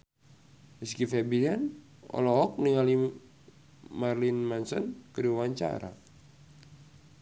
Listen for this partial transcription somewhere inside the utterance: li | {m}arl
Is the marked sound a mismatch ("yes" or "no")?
no